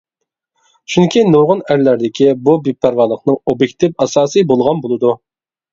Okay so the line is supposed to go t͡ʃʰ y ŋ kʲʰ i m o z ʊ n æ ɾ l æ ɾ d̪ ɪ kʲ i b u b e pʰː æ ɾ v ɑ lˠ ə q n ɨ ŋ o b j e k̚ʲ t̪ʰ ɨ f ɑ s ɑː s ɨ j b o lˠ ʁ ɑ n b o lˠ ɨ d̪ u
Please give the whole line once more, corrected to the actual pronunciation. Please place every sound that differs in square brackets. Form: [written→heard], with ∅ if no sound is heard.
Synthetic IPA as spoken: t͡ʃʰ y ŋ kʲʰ i [m→n] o [z→ʁ] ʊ n æ ɾ l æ ɾ d̪ ɪ kʲ i b u b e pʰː æ ɾ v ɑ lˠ ə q n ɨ ŋ o b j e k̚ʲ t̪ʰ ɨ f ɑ s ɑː s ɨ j b o lˠ ʁ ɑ n b o lˠ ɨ d̪ u